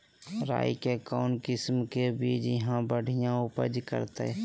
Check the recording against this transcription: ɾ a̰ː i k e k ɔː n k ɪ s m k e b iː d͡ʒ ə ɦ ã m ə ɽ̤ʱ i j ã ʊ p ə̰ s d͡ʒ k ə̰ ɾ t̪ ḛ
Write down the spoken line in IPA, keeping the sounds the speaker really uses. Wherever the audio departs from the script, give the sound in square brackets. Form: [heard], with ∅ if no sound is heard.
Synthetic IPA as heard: ɾ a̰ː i k e k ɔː n k ɪ s m k e b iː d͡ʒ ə ɦ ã [b] ə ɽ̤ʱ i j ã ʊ p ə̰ [∅] d͡ʒ k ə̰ ɾ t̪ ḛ